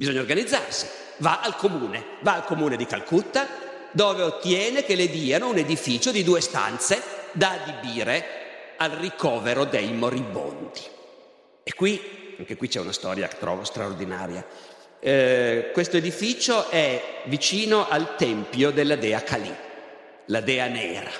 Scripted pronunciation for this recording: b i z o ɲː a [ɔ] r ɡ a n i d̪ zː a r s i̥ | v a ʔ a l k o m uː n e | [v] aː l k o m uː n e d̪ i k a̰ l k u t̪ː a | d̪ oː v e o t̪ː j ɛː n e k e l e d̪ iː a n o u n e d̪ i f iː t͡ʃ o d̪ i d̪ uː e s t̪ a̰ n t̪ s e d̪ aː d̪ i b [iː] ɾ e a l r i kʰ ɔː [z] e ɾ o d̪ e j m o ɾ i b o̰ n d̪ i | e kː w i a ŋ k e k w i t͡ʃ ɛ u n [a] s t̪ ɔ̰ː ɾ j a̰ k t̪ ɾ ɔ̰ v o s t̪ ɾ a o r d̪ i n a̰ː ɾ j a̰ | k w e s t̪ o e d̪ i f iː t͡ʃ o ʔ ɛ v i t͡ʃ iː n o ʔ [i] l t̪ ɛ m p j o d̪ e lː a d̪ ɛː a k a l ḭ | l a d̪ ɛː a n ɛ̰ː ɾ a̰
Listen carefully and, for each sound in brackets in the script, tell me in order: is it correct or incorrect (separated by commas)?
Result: incorrect, correct, correct, incorrect, correct, incorrect